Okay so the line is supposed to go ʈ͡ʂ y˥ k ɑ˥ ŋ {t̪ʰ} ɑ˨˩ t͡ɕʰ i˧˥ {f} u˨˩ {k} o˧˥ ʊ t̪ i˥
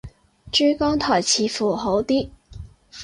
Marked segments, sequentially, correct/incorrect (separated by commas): correct, correct, incorrect